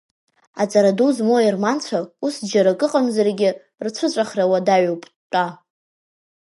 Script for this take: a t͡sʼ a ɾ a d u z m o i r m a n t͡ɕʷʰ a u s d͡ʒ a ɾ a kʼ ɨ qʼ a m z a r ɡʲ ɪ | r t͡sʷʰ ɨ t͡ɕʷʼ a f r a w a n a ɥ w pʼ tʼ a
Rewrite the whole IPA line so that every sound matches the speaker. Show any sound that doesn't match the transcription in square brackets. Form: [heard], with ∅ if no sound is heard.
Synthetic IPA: a t͡sʼ a ɾ a d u z m o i r m a n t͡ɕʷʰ a u s d͡ʒ a ɾ a kʼ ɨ qʼ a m z a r ɡʲ ɪ | r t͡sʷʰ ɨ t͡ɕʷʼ a [χ] r a w a [d] a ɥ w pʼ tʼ a